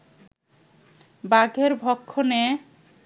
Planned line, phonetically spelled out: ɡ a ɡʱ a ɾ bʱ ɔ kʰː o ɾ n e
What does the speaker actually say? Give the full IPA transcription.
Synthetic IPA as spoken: b a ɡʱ e ɾ bʱ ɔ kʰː o n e